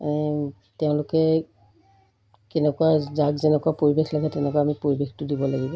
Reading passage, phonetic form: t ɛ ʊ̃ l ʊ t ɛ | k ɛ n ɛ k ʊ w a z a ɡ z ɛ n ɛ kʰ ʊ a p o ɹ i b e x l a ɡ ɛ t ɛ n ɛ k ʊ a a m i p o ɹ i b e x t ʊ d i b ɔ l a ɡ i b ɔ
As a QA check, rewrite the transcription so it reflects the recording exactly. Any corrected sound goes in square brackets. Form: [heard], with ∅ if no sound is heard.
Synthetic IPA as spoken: t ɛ ʊ̃ l ʊ [k] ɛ | k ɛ n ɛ k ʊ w a z a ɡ z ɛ n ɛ [k] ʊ a p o ɹ i b e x l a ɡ ɛ t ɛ n ɛ k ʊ a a m i p o ɹ i b e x t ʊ d i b ɔ l a ɡ i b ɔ